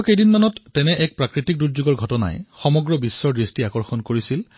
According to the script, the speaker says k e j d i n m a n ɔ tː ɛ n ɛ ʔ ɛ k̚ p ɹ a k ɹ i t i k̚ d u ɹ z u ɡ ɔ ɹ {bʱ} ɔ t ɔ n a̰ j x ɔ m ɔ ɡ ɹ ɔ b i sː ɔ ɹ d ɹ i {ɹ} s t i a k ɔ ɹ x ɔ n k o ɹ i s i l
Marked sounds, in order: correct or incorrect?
incorrect: ɡʱ, incorrect: none

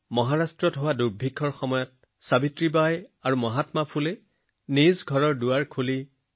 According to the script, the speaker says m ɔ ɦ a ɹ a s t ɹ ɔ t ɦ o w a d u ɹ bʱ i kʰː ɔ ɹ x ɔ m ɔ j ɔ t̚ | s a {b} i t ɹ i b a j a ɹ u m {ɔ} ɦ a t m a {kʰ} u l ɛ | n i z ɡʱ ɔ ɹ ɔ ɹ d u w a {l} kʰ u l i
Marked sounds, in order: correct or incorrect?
correct, correct, incorrect: pʰ, incorrect: ɹ

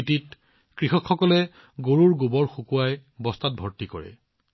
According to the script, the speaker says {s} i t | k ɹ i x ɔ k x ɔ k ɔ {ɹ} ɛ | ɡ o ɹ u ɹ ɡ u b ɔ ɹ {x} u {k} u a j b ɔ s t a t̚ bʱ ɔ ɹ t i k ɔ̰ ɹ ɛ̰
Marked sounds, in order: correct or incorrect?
incorrect: t, incorrect: l, correct, correct

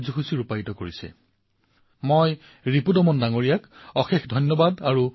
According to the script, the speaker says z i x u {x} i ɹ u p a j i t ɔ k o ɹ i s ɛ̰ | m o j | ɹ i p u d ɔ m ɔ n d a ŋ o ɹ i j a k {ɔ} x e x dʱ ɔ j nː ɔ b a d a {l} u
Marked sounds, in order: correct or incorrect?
incorrect: s, correct, incorrect: ɹ

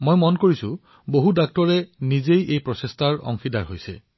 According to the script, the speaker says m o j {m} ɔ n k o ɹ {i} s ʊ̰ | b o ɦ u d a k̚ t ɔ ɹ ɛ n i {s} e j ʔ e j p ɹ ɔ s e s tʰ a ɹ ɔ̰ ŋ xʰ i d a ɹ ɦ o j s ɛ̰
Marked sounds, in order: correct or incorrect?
correct, correct, incorrect: z

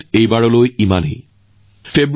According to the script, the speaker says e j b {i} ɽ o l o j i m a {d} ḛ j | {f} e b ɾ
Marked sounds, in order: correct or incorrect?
incorrect: a, incorrect: n, correct

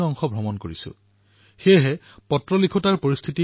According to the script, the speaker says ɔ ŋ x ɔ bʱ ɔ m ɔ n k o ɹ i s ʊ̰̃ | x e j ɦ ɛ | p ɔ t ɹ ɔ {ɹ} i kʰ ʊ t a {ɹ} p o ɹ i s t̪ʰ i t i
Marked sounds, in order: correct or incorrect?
incorrect: l, correct

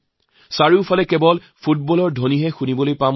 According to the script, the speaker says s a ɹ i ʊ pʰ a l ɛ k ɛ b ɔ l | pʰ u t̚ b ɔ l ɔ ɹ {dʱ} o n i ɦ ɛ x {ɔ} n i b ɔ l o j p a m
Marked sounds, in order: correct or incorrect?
correct, incorrect: u

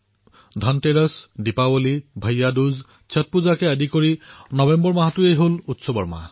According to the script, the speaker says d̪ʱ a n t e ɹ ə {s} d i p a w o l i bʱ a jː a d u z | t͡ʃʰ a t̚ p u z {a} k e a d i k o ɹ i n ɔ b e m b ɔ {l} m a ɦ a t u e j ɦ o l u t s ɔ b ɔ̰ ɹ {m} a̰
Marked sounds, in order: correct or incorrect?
correct, correct, incorrect: ɹ, correct

